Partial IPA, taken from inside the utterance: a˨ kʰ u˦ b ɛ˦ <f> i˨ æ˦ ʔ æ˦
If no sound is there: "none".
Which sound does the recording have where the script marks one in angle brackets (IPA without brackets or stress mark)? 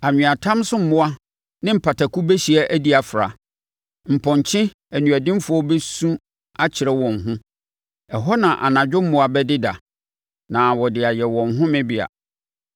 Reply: ɕ